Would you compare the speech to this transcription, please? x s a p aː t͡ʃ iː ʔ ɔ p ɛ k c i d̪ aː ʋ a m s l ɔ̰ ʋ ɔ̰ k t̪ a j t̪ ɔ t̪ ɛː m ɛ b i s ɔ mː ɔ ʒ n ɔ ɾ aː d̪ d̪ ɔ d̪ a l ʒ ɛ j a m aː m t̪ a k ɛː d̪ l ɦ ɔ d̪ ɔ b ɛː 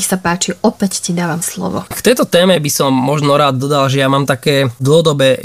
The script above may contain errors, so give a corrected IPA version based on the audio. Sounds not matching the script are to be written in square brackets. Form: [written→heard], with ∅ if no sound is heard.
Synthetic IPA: x s a p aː t͡ʃ [iː→i] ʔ ɔ p ɛ [k→c] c i d̪ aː ʋ a m s l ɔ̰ ʋ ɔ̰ k t̪ [a→ɛ] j t̪ ɔ t̪ ɛː m ɛ b i s ɔ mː ɔ ʒ n ɔ ɾ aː d̪ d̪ ɔ d̪ a l ʒ ɛ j a m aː m t̪ a k ɛː d̪ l ɦ ɔ d̪ ɔ b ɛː